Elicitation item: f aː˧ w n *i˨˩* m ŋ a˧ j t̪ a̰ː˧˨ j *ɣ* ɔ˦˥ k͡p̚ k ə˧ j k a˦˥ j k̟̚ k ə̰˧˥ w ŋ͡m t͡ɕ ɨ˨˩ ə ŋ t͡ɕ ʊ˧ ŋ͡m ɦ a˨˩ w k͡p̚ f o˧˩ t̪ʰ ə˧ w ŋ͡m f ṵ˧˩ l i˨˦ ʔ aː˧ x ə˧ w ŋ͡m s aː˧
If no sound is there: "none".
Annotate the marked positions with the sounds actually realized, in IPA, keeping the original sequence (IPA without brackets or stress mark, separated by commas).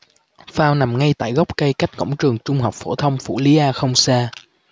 a˨˩, ɣ